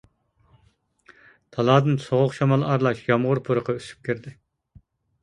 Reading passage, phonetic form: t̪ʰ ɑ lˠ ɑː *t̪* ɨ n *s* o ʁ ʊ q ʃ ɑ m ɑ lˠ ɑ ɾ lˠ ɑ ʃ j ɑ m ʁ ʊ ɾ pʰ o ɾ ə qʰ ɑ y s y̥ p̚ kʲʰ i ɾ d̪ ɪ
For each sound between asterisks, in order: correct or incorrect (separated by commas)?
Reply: incorrect, correct